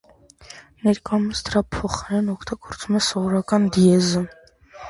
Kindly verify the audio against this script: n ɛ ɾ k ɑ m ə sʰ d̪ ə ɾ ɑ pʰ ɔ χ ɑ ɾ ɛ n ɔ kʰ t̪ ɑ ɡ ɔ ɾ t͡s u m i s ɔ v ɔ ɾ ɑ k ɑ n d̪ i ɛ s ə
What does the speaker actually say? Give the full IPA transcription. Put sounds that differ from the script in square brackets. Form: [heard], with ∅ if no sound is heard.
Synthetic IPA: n ɛ ɾ k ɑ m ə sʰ d̪ ə ɾ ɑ pʰ ɔ χ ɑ ɾ ɛ n ɔ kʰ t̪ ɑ ɡ ɔ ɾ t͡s u m [ɛ] s ɔ v ɔ ɾ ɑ k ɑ n d̪ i ɛ [z] ə

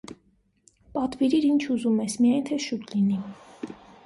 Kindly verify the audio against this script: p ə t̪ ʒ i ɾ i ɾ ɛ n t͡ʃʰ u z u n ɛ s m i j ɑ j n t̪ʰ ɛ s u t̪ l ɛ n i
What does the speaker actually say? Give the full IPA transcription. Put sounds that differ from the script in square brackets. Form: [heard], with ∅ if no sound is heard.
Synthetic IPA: p [ɑ] t̪ [v] i ɾ i ɾ [i] n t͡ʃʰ u z u [m] ɛ s m i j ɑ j n t̪ʰ ɛ [ʃ] u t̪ l [i] n i

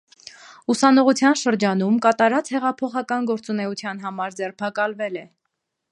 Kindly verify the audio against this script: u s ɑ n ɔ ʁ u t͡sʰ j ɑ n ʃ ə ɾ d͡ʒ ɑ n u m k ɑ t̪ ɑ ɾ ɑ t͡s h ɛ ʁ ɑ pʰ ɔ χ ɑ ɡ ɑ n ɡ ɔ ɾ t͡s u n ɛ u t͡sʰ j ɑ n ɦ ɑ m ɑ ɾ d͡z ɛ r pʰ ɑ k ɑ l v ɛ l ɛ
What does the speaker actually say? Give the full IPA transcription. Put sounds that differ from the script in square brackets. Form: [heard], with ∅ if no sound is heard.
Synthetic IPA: u s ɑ n ɔ ʁ u t͡sʰ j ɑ n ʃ ə ɾ d͡ʒ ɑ n u m k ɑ t̪ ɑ ɾ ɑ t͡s h ɛ ʁ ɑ pʰ ɔ χ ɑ [k] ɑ n ɡ ɔ ɾ t͡s u n ɛ u t͡sʰ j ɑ n ɦ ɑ m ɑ ɾ d͡z ɛ r pʰ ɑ k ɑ l v ɛ l ɛ

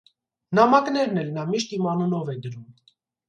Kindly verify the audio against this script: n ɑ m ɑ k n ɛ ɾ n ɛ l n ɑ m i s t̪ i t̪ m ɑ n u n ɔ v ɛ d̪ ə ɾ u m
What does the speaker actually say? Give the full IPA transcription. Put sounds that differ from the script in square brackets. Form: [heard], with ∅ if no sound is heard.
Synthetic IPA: n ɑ m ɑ k n ɛ ɾ n ɛ l n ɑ m i [ʃ] t̪ i [∅] m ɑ n u n ɔ v ɛ d̪ ə ɾ u m

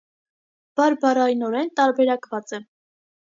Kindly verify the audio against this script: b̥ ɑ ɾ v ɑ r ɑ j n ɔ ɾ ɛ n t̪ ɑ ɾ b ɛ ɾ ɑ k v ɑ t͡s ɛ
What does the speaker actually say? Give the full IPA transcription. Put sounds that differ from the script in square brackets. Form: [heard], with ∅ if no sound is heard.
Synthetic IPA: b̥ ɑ ɾ [b] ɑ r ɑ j n ɔ ɾ ɛ n t̪ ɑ ɾ b ɛ ɾ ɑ k v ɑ t͡s ɛ

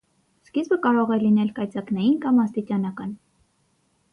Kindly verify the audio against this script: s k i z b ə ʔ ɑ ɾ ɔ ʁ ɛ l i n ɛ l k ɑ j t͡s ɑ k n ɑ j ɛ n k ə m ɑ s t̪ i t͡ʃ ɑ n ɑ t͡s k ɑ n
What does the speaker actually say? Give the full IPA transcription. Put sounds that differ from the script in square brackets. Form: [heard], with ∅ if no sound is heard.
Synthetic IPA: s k i z b ə [k] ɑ ɾ ɔ ʁ ɛ l i n ɛ l k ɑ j t͡s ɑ k n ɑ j [i] n k [ɑ] m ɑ s t̪ i t͡ʃ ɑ n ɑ [∅] k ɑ n

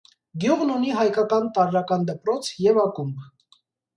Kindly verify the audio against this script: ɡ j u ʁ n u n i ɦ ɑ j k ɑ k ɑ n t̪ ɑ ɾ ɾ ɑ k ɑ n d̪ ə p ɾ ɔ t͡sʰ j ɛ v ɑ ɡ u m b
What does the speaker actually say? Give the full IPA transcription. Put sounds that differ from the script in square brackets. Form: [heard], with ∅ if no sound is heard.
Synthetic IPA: ɡ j u ʁ n u n i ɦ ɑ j k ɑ k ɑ n t̪ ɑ ɾ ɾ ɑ k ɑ n d̪ ə p ɾ ɔ t͡sʰ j ɛ v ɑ [k] u m b

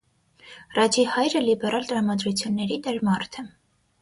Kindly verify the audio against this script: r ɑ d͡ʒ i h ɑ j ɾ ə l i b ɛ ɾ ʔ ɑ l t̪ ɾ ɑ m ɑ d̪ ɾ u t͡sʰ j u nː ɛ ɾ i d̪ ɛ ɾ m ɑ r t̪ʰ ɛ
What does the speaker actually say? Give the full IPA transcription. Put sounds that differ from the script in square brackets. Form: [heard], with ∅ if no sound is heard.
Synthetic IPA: r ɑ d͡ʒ i h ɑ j ɾ ə l i b ɛ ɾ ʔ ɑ l t̪ ɾ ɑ m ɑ d̪ ɾ u t͡sʰ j u nː ɛ ɾ i d̪ ɛ ɾ m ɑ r t̪ʰ ɛ

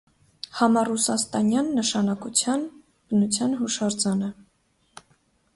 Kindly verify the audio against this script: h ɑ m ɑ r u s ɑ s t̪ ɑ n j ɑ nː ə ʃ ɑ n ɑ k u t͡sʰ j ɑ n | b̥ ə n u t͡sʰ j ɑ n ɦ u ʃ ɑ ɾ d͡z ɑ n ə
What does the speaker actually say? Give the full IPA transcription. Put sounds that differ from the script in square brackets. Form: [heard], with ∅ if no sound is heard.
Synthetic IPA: h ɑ m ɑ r u s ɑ s t̪ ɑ n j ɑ nː ə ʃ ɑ n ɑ k u t͡sʰ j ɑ n | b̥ ə n u t͡sʰ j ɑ n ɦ u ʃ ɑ ɾ d͡z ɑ n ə

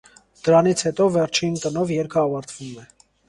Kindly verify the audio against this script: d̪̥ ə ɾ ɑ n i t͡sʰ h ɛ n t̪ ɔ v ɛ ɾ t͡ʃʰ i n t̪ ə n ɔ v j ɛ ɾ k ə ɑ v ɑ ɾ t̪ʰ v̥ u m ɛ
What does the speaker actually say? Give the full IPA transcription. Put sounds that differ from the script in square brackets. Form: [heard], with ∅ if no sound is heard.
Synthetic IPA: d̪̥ ə ɾ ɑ n i t͡sʰ h ɛ [∅] t̪ ɔ v ɛ ɾ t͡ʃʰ i n t̪ ə n ɔ v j ɛ ɾ [kʰ] ə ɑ v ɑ ɾ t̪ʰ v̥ u m ɛ

